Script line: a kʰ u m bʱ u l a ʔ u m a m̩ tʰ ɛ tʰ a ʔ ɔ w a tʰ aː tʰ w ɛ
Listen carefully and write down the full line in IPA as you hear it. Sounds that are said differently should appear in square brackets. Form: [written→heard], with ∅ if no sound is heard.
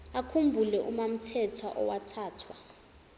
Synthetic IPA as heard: a kʰ u m bʱ u l [a→ɛ] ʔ u m a m̩ tʰ ɛ tʰ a ʔ ɔ w a tʰ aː tʰ w [ɛ→a]